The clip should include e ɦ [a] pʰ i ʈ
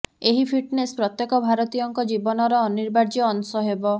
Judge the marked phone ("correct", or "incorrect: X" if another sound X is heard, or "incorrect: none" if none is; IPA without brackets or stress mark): incorrect: i